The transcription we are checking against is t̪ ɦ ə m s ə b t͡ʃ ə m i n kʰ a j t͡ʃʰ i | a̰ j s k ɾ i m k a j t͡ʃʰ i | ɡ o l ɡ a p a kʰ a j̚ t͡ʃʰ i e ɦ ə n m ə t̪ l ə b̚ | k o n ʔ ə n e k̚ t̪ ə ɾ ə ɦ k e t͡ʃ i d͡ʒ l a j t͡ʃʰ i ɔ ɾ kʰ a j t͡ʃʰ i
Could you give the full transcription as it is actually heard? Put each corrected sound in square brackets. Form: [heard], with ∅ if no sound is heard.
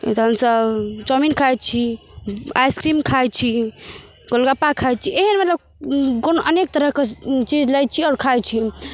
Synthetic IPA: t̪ ɦ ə m s ə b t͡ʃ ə m i n kʰ a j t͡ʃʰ i | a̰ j s k ɾ i m [kʰ] a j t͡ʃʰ i | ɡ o l ɡ a p a kʰ a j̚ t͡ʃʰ i e ɦ ə n m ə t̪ l ə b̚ | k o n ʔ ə n e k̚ t̪ ə ɾ ə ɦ k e t͡ʃ i d͡ʒ l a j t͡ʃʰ i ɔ ɾ kʰ a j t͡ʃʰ i